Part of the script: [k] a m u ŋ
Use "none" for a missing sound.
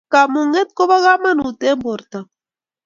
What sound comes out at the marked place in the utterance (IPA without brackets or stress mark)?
k